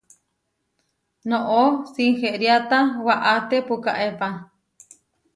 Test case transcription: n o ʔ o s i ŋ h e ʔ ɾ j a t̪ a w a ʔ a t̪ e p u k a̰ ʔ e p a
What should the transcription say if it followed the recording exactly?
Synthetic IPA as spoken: n o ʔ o s i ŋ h e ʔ ɾ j a t̪ a w a ʔ a t̪ e p u k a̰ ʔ e p a

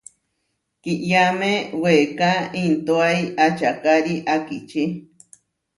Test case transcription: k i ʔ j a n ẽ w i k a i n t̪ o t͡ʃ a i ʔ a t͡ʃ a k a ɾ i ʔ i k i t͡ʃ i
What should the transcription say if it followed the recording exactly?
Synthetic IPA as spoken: k i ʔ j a m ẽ w e k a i n t̪ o a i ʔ a t͡ʃ a k a ɾ i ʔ a k i t͡ʃ i

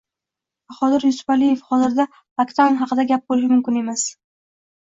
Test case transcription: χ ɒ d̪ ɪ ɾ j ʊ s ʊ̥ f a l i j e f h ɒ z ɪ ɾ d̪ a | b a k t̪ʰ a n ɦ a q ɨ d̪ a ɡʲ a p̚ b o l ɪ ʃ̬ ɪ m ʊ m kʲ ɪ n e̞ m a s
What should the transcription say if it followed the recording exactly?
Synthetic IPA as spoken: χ ɒ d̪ ɪ ɾ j ʊ s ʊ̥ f a l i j e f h ɒ z ɪ ɾ d̪ a | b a k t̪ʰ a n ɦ ɑ q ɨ d̪ a ɡʲ a p̚ b o l ɪ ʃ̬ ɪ m ʊ m kʲ ɪ n e̞ m a s

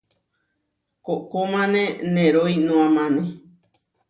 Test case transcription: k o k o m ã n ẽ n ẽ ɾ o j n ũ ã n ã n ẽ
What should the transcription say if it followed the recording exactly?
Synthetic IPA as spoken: k o k o m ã n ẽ n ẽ ɾ o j n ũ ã m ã n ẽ

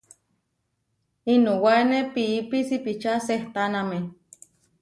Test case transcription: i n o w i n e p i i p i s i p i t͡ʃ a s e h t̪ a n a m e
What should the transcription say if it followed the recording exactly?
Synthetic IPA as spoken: i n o w a n e p i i p i s i p i t͡ʃ a s e h t̪ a n a m e

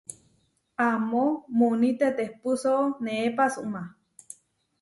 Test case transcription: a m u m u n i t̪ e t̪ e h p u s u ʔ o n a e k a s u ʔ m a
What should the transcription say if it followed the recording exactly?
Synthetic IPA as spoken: a m o m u n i t̪ e t̪ e h p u s o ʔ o n e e p a s u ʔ m a

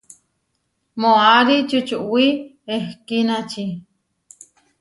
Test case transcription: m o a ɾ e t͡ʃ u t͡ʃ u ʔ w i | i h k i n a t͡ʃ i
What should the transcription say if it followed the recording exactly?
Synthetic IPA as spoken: m o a ɾ i t͡ʃ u t͡ʃ u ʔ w i | e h k i n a t͡ʃ i

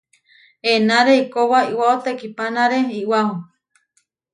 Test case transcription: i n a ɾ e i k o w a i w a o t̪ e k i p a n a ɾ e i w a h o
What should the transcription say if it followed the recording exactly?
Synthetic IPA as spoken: e n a ɾ e i k o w a i w a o t̪ e k i p a n a ɾ e i w a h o

